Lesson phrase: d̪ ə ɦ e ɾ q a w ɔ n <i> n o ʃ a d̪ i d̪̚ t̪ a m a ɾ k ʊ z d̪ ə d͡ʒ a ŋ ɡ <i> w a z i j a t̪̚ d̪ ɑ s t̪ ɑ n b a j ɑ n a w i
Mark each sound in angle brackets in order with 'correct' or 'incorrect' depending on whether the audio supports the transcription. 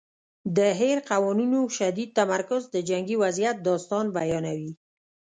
correct, correct

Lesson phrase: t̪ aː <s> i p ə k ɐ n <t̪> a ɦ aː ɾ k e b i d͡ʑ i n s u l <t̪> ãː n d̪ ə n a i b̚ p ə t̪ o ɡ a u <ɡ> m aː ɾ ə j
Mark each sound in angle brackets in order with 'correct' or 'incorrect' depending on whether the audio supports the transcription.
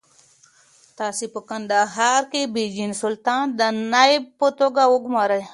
correct, incorrect: d̪, correct, correct

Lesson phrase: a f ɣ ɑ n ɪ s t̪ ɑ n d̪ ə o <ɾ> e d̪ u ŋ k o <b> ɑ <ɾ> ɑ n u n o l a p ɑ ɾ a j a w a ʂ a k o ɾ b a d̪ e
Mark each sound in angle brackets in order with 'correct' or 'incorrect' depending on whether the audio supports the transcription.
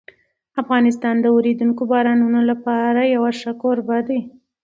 correct, correct, correct

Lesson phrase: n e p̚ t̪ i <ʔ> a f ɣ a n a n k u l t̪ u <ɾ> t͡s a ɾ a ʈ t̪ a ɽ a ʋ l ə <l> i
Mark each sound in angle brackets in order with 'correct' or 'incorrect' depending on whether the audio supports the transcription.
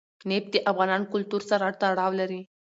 correct, correct, incorrect: ɾ

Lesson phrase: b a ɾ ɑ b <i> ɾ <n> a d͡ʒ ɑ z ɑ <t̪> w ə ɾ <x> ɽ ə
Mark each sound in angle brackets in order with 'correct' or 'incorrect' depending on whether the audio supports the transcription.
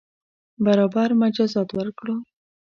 incorrect: a, incorrect: m, correct, incorrect: k

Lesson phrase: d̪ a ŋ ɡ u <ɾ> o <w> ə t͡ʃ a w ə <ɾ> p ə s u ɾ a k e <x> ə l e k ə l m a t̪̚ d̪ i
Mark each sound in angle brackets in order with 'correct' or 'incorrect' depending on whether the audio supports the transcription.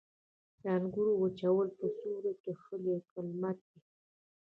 correct, correct, incorrect: l, correct

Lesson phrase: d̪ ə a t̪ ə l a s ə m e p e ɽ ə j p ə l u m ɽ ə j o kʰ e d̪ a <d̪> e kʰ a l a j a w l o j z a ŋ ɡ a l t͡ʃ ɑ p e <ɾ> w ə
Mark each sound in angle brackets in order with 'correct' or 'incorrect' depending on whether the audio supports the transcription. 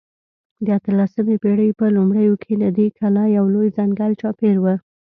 correct, correct

